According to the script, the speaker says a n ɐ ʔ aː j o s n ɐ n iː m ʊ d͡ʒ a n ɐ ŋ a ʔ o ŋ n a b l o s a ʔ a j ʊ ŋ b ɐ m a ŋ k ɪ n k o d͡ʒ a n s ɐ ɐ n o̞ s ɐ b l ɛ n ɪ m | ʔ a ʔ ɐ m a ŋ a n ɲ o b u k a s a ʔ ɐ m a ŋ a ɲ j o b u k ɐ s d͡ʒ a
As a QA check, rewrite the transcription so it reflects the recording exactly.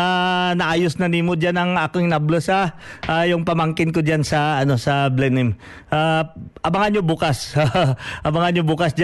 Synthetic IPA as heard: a n ɐ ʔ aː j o s n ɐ n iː m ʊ d͡ʒ a n ɐ ŋ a k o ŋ n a b l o s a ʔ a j ʊ ŋ p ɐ m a ŋ k ɪ n k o d͡ʒ a n s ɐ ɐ n o̞ s ɐ b l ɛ n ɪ m | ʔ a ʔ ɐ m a ŋ a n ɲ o b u k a s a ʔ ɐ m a ŋ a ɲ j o b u k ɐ s d͡ʒ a